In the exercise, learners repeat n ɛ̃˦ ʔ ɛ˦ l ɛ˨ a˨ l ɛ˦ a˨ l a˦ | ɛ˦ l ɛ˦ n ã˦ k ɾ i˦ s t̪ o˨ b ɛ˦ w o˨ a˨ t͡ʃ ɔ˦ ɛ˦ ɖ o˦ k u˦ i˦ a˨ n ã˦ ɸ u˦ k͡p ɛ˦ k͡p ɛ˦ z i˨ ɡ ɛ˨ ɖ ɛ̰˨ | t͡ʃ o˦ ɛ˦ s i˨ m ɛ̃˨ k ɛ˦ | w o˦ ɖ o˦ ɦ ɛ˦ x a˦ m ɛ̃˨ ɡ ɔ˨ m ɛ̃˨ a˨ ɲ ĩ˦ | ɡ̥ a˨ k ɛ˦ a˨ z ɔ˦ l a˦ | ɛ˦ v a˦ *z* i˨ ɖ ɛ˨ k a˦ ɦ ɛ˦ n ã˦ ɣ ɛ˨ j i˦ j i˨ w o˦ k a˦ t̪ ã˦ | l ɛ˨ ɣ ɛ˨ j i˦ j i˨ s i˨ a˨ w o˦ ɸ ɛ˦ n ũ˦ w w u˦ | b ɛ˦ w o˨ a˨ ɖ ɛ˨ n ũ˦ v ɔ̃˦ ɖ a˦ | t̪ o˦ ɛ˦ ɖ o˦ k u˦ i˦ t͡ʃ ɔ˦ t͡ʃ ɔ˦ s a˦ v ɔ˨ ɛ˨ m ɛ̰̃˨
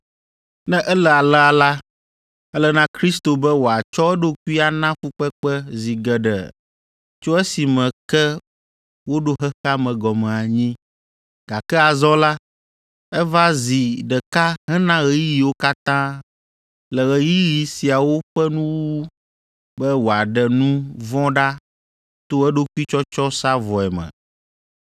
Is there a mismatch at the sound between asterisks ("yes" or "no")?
no